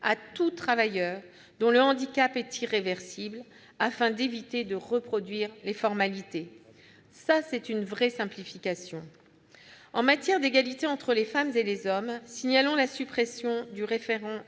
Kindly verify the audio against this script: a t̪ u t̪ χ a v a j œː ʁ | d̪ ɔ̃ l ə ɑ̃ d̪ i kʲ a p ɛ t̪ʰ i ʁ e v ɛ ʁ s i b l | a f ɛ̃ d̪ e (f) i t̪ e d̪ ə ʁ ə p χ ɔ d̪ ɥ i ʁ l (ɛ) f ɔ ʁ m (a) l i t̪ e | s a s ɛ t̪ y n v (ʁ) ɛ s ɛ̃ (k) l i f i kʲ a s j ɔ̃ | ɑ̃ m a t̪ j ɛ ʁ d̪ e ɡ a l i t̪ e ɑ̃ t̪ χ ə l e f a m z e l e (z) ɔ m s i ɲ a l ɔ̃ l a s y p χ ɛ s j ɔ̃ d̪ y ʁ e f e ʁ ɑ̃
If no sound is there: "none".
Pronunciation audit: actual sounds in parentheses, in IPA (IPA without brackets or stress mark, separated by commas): v, e, a, ʁ, p, z